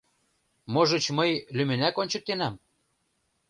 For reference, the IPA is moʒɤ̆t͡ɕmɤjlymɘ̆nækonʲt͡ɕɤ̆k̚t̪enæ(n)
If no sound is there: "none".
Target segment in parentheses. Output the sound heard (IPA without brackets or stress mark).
m